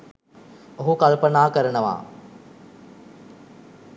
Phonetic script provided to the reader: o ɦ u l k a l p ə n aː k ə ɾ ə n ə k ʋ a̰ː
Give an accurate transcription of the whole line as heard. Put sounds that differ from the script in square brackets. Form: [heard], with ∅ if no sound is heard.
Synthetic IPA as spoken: o ɦ u [∅] k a l p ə n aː k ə ɾ ə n ə [∅] ʋ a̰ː